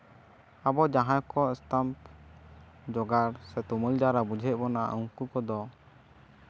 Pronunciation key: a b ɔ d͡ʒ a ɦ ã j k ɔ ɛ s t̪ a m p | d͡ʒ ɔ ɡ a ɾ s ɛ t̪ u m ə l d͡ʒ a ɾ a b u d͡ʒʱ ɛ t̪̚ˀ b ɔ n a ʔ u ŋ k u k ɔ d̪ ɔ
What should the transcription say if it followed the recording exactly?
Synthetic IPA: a b ɔ d͡ʒ a ɦ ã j k ɔ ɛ s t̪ a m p | d͡ʒ ɔ ɡ a ɾ s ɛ t̪ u m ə l d͡ʒ a ɾ a b u d͡ʒʱ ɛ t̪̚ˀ b ɔ n a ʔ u ŋ k u k ɔ d̪ ɔ

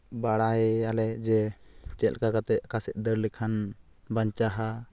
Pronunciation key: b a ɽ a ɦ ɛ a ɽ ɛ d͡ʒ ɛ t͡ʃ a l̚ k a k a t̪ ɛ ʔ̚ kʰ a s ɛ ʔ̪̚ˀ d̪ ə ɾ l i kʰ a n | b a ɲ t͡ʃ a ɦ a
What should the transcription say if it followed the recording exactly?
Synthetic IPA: b a ɽ a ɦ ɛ a l ɛ d͡ʒ ɛ t͡ʃ ɛ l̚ k a k a t̪ ɛ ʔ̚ k a s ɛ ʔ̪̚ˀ d̪ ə ɾ l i kʰ a n | b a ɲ t͡ʃ a ɦ a

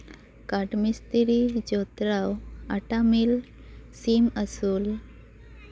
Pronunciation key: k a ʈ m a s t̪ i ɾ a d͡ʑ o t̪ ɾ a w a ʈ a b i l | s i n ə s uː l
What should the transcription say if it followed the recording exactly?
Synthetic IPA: k a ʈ m i s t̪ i ɾ i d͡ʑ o t̪ ɾ a w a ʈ a m i l | s i m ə s uː l

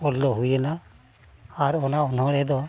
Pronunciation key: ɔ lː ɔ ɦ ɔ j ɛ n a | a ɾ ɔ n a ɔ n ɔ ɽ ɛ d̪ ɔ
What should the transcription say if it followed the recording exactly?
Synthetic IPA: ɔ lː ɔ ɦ u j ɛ n a | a ɾ ɔ n a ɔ n ɔ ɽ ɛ d̪ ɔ

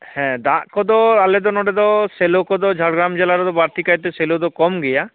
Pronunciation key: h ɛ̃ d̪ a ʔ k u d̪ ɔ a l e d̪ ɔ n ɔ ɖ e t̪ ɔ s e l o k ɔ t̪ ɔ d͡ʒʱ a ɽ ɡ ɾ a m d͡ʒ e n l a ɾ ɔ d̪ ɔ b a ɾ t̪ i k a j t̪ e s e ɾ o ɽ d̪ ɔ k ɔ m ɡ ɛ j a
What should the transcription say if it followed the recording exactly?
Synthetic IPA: h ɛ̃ d̪ a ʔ k ɔ d̪ ɔ a l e d̪ ɔ n ɔ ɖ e d̪ ɔ s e l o k ɔ d̪ ɔ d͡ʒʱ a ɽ ɡ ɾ a m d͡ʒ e l a ɾ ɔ d̪ ɔ b a ɾ t̪ i k a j t̪ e s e l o d̪ ɔ k ɔ m ɡ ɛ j a

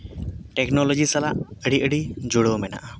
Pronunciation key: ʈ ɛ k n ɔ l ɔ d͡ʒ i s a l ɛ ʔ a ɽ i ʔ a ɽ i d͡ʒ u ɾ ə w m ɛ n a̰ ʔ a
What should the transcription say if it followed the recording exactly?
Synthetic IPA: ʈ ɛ k n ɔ l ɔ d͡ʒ i s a l a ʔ ə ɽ i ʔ ə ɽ i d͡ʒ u ɽ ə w m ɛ n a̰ ʔ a

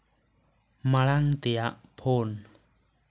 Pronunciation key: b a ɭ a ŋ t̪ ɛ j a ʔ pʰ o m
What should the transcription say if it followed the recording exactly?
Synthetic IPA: m a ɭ a ŋ t̪ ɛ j a ʔ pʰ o n

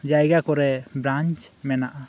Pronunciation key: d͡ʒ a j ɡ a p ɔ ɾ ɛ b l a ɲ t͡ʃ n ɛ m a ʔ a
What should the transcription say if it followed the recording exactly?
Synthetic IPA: d͡ʒ a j ɡ a k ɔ ɾ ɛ b ɾ a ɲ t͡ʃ m ɛ n a ʔ a

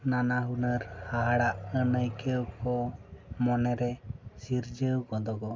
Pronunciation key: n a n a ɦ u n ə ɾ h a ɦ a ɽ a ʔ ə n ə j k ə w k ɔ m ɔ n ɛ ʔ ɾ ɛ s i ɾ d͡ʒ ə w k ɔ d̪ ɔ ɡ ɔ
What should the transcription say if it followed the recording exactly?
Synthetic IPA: n a n a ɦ u n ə ɾ h a ɦ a ɽ a ʔ ə n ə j k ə w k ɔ m ɔ n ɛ ɾ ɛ s i ɾ d͡ʒ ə w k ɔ d̪ ɔ ɡ ɔ

